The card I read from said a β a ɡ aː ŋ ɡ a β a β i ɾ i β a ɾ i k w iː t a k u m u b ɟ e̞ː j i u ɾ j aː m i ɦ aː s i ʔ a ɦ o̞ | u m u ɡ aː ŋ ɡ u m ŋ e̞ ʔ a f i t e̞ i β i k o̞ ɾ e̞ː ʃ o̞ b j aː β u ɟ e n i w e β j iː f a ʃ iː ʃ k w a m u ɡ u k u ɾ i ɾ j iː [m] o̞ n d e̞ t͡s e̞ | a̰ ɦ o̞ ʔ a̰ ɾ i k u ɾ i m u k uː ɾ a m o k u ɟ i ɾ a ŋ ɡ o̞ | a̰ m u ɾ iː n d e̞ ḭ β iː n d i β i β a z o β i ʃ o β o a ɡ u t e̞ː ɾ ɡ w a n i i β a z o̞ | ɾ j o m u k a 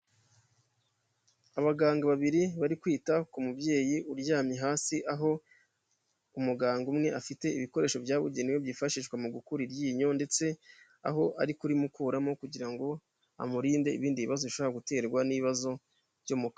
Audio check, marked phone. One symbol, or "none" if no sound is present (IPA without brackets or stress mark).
ɲ